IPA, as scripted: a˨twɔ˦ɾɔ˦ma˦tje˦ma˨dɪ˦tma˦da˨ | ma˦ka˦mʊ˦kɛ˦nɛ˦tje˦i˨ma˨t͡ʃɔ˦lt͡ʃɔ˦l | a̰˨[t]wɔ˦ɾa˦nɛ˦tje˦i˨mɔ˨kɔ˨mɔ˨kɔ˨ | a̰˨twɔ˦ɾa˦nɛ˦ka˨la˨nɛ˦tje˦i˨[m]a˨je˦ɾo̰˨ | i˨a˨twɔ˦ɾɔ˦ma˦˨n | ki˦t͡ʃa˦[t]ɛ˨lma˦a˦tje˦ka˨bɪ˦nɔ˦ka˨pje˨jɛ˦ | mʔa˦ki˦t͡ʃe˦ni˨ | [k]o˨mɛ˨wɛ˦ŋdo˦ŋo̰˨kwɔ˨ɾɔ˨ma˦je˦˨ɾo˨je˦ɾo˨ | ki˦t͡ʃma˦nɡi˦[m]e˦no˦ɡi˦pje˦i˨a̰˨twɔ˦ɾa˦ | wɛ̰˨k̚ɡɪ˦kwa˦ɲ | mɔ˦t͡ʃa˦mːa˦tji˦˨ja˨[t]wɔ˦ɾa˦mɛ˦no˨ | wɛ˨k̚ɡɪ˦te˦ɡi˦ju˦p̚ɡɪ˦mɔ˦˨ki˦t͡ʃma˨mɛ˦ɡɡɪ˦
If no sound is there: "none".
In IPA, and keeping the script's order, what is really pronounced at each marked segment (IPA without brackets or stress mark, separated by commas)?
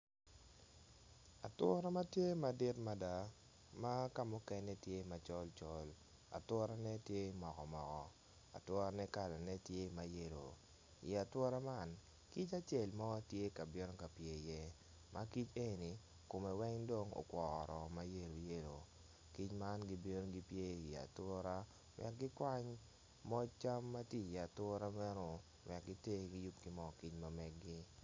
t, m, t͡ʃ, k, b, t